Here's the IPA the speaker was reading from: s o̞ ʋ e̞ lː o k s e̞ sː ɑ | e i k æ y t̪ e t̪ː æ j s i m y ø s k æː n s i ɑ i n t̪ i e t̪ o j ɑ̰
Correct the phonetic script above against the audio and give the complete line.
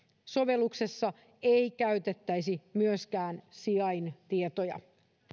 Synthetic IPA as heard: s o̞ ʋ e̞ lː u k s e̞ sː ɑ | e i k æ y t̪ e t̪ː æ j s i m y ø s k æː n s i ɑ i n t̪ i e t̪ o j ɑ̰